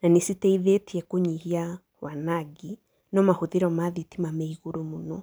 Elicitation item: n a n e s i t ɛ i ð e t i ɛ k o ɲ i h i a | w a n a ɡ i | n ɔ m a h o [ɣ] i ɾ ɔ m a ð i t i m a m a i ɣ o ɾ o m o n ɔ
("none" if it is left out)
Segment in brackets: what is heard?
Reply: ð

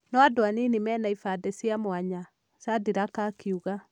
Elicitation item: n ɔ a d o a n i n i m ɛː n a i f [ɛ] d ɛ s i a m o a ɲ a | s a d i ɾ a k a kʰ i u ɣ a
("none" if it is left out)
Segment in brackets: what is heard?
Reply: a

